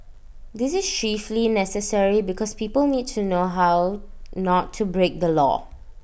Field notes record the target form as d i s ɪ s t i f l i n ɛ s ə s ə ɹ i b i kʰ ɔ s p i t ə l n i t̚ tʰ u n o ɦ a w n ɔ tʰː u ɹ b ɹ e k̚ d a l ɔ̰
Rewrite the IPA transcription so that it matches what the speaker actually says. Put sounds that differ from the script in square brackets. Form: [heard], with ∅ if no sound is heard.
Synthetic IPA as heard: d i s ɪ s [t͡ʃ] i f l i n ɛ s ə s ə ɹ i b i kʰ ɔ s p i [p] ə l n i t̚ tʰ u n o ɦ a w n ɔ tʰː u [∅] b ɹ e k̚ d [ə] l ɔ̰